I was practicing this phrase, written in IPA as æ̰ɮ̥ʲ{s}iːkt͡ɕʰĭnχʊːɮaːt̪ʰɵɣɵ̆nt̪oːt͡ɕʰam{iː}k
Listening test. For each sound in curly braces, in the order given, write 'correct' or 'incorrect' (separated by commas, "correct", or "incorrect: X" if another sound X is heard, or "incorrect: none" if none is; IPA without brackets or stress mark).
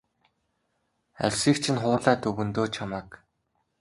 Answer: correct, incorrect: aː